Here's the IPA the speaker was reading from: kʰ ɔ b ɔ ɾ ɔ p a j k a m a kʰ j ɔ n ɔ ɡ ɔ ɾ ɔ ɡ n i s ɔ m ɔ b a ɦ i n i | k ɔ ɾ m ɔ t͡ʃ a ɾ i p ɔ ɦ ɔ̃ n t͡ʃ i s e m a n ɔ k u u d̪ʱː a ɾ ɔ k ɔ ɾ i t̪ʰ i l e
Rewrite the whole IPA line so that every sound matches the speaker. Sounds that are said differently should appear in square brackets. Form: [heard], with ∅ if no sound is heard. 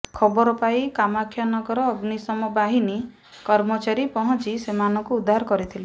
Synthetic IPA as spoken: kʰ ɔ b ɔ ɾ ɔ p a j k a m a kʰ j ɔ n ɔ ɡ ɔ ɾ [ɔː] ɡ n i s ɔ m ɔ b a ɦ i n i | k ɔ ɾ m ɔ t͡ʃ a ɾ i p ɔ ɦ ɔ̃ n t͡ʃ i s e m a n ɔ k u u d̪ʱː a ɾ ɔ k ɔ ɾ i t̪ʰ i l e